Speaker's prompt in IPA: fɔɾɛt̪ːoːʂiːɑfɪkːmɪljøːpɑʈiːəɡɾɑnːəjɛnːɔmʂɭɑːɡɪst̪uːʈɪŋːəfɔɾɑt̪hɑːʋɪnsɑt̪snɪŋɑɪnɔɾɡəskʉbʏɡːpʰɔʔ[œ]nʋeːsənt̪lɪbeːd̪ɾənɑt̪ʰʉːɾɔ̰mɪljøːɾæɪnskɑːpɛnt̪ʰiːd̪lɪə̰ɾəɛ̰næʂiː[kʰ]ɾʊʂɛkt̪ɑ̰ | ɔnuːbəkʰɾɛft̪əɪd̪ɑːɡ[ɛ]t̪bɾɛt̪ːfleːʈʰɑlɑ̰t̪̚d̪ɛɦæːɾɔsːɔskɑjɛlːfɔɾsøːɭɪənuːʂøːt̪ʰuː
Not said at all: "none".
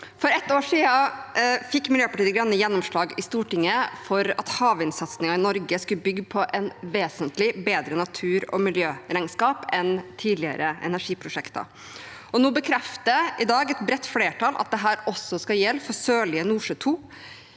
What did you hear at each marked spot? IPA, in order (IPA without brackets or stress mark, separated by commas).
ɛ, pʰ, ɛ